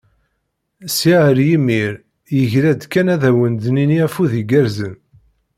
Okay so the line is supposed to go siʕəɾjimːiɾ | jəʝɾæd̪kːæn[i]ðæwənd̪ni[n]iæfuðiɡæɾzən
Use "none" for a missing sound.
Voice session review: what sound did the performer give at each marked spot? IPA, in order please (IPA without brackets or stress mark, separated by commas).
æ, n